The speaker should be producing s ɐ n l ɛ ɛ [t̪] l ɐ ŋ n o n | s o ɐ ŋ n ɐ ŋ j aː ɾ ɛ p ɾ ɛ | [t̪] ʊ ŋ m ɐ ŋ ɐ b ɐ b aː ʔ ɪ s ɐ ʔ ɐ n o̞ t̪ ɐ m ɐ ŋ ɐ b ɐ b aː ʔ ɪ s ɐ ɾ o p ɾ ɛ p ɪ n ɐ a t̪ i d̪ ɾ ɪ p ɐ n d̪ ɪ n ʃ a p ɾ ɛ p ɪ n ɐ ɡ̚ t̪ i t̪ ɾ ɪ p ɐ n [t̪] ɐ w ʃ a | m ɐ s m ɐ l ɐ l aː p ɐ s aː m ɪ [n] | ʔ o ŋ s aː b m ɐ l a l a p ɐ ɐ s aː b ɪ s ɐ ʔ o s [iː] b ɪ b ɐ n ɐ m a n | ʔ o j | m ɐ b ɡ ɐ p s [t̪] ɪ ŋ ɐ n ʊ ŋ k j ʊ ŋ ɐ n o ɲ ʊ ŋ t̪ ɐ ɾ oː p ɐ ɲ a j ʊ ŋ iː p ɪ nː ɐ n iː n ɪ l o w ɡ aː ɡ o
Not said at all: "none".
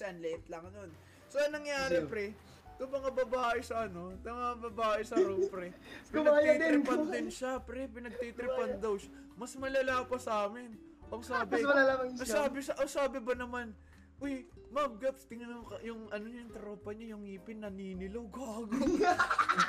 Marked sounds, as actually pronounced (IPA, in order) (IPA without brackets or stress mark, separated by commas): t̪, t̪, d̪, n, aː, t̪